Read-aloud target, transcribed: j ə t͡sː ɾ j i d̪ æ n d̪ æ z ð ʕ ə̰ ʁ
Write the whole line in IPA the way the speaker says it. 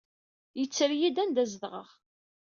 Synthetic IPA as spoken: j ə t͡sː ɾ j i d̪ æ n d̪ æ z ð ʁ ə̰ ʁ